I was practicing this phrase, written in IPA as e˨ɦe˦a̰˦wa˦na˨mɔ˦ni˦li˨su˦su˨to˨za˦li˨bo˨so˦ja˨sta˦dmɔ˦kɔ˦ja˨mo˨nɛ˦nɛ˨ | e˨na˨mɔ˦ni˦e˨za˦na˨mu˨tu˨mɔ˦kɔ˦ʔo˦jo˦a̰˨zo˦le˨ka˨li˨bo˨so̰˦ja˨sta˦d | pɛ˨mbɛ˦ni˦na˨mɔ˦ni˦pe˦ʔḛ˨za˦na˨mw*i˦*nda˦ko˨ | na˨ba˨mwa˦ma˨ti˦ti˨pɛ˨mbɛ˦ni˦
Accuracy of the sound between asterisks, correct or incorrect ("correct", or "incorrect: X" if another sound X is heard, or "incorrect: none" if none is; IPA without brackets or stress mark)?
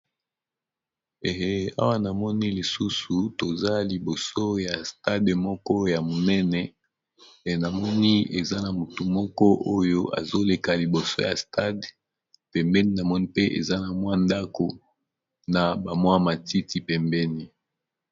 incorrect: a˦